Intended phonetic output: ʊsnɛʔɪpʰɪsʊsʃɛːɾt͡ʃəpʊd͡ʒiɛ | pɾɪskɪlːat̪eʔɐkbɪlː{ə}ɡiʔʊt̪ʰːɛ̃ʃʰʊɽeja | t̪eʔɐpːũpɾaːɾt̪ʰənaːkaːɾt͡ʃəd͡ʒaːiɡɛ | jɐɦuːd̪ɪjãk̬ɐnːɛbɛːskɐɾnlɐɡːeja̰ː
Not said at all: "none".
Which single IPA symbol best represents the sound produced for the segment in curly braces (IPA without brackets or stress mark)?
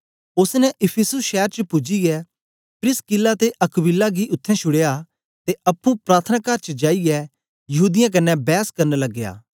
a